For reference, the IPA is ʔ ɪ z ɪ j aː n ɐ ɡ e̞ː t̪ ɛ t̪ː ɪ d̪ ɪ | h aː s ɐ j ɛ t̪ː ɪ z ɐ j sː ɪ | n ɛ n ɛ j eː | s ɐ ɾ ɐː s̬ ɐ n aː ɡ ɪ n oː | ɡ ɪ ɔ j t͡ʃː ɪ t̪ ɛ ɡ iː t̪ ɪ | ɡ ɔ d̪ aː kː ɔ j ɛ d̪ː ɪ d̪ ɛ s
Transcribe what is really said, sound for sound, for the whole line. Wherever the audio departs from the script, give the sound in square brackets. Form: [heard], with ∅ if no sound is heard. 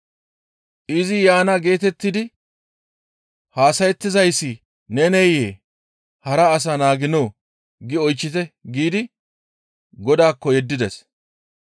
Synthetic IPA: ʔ ɪ z ɪ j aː n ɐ ɡ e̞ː t̪ ɛ t̪ː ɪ d̪ ɪ | h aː s ɐ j ɛ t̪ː ɪ z ɐ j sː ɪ | n ɛ n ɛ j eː | [h] ɐ ɾ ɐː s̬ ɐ n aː ɡ ɪ n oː | ɡ ɪ ɔ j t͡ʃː ɪ t̪ ɛ ɡ iː [d̪] ɪ | ɡ ɔ d̪ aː kː ɔ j ɛ d̪ː ɪ d̪ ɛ s